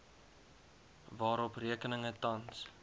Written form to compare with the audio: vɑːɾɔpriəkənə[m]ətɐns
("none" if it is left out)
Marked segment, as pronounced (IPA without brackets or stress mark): ŋ